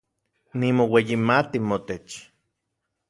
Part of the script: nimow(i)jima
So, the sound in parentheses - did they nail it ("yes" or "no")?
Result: no